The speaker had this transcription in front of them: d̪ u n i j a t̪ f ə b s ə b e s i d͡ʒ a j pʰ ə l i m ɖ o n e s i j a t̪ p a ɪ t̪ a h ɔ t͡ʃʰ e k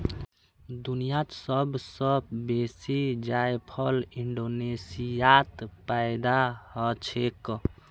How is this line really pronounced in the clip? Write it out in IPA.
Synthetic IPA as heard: d̪ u n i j a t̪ s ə b s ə b e s i d͡ʒ a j pʰ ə l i ɳ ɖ o n e s i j a t̪ p a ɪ d̪ a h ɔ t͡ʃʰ e k